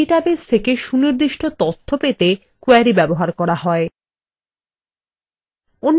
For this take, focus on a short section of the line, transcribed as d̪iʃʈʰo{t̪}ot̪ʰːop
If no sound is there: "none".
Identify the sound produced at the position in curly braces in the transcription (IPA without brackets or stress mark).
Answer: t̪